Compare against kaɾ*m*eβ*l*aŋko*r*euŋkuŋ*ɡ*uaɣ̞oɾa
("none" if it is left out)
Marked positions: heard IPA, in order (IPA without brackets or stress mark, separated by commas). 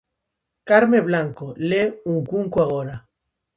m, l, l, k